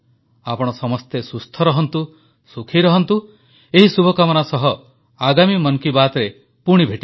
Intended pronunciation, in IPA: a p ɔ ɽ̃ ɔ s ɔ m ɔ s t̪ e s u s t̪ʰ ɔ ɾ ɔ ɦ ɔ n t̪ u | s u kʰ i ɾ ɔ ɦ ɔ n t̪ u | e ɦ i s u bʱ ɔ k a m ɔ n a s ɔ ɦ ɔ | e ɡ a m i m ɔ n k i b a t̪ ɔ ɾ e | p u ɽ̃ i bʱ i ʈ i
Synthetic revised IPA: a p ɔ ɽ̃ ɔ s ɔ m ɔ s t̪ e s u s t̪ʰ ɔ ɾ ɔ ɦ ɔ n t̪ u | s u kʰ i ɾ ɔ ɦ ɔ n t̪ u | e ɦ i s u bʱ ɔ k a m ɔ n a s ɔ ɦ ɔ | a ɡ a m i m ɔ n k i b a t̪ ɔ ɾ e | p u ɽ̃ i bʱ e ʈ i